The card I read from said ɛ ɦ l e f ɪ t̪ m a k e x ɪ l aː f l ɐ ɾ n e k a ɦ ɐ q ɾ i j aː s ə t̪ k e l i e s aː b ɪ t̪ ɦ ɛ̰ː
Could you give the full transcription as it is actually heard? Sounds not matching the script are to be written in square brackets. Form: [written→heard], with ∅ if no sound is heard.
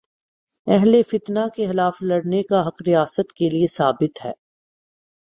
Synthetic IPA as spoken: ɛ ɦ l e f ɪ t̪ [m→n] a k e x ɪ l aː f l ɐ [ɾ→ɽ] n e k a ɦ ɐ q ɾ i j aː s ə t̪ k e l i e s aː b ɪ t̪ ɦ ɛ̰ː